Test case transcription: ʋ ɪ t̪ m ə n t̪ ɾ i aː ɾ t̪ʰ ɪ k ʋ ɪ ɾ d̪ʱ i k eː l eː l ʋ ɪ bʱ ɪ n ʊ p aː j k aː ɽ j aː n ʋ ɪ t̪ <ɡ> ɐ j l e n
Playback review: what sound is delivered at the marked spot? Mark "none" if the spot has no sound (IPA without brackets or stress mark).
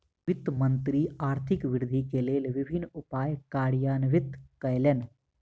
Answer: k